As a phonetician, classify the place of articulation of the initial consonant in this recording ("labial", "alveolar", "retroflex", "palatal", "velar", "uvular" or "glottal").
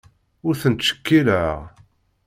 alveolar